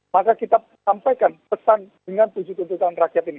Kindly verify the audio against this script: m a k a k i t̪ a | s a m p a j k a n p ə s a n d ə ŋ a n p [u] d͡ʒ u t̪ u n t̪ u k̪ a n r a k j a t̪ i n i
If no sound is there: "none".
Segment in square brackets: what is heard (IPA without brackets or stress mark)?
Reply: u